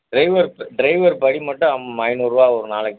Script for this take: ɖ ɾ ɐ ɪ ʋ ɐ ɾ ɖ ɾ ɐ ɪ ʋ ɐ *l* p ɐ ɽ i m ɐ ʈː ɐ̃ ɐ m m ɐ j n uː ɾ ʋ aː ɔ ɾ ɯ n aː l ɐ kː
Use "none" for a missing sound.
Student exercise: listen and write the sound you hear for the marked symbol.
ɾ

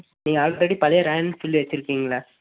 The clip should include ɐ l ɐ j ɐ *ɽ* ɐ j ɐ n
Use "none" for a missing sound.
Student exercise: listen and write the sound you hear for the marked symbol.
ɾ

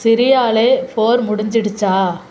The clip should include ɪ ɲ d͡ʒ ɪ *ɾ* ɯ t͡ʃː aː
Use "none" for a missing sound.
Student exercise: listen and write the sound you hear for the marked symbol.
ɽ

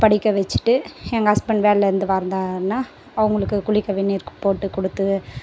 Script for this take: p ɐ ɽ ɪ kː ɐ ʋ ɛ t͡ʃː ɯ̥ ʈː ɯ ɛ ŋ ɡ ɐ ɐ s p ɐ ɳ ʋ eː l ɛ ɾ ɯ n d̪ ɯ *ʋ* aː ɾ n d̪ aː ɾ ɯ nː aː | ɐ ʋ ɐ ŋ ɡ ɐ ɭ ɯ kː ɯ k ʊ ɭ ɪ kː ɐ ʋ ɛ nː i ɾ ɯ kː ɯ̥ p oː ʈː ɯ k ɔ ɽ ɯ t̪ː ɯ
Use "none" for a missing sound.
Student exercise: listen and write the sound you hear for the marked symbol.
ʋ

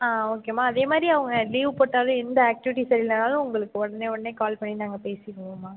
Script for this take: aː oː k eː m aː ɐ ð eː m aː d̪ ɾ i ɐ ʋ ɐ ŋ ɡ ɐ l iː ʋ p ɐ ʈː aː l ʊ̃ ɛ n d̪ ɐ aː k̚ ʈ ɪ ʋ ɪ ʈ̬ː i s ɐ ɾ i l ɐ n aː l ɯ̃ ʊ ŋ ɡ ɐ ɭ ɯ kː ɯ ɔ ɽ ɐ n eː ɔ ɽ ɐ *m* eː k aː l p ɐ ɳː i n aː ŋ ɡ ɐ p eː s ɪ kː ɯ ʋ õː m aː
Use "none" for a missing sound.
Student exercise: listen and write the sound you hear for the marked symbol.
n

